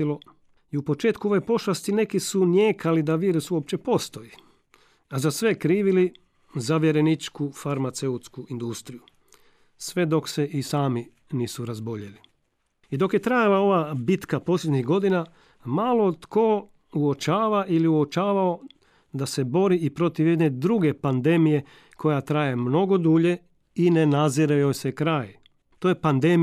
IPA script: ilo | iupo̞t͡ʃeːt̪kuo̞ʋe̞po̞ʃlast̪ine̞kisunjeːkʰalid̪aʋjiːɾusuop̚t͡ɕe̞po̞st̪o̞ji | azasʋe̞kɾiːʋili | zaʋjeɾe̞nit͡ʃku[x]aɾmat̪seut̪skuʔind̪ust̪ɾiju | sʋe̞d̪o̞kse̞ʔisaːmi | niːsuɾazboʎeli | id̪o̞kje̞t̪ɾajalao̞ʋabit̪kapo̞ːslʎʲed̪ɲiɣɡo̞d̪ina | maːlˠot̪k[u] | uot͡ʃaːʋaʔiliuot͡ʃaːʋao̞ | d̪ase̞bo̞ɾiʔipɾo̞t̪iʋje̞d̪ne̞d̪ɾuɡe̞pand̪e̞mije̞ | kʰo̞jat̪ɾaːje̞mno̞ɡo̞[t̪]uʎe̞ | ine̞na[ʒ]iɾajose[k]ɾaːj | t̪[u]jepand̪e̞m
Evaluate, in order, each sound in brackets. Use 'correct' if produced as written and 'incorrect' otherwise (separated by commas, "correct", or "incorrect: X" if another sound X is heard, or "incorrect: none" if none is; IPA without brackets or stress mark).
incorrect: f, incorrect: o, incorrect: d̪, incorrect: z, correct, incorrect: o